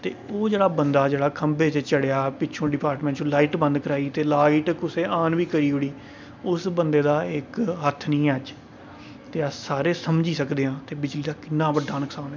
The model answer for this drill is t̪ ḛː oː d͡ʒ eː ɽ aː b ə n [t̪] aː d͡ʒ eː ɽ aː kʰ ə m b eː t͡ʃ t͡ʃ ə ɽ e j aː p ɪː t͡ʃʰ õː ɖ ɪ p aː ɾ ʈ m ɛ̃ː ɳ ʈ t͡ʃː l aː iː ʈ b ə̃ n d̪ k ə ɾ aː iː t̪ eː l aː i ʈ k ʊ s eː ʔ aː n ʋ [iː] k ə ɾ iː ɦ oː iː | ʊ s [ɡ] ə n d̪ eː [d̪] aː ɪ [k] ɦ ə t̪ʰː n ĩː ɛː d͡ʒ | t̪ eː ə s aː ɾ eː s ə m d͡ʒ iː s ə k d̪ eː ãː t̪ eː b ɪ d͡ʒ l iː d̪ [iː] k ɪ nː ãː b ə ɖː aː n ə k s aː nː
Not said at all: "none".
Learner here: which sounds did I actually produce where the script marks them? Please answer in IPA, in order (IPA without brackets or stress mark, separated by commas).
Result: d̪, iː, b, d̪, k, aː